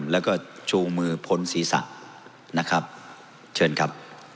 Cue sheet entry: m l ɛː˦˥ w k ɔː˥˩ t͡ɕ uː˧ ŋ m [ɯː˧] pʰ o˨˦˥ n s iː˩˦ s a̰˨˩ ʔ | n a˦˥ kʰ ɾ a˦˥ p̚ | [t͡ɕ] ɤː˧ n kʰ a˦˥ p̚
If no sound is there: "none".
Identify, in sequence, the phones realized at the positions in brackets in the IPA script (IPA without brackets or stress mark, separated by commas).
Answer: ɯː˧, t͡ɕʰ